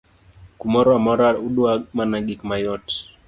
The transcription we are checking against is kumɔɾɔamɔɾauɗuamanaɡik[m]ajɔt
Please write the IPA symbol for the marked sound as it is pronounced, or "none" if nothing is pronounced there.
m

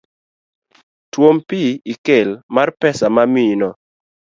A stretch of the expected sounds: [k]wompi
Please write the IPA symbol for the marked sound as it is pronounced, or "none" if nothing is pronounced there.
t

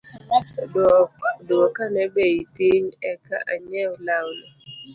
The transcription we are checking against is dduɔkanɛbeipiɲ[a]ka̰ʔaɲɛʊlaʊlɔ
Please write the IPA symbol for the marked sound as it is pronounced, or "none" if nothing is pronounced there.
ɛ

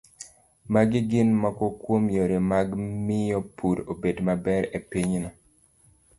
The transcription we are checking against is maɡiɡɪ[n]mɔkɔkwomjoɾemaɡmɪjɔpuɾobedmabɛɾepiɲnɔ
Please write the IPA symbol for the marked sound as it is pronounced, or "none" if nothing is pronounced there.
n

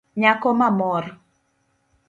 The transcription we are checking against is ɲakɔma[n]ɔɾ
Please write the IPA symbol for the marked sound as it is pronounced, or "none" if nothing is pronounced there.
m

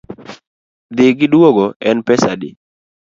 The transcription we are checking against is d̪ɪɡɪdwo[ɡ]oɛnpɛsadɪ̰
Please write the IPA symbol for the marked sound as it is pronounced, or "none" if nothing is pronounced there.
ɡ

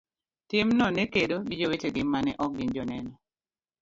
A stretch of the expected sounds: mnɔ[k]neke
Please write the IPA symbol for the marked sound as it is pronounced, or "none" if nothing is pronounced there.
none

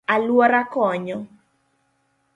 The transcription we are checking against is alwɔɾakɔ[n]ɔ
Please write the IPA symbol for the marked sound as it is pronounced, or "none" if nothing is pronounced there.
ɲ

